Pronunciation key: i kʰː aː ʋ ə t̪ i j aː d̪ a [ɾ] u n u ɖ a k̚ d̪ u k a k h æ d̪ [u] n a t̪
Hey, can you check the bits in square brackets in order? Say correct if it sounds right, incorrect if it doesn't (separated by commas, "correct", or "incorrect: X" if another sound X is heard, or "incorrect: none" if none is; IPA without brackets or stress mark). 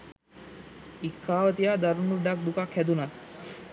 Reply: correct, correct